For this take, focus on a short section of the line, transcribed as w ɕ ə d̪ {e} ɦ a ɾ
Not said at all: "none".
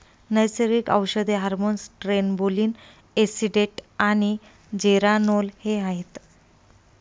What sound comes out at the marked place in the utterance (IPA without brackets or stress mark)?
e